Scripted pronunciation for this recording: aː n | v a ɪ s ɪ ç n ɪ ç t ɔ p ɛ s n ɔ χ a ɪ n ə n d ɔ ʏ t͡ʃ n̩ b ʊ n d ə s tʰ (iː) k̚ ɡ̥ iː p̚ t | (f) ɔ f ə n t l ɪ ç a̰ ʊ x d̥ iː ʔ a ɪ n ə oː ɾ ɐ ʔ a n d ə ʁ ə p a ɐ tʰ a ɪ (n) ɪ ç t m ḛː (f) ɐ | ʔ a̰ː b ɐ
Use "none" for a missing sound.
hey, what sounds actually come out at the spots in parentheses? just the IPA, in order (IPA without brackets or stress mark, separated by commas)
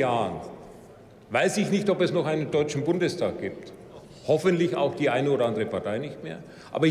aː, h, n, none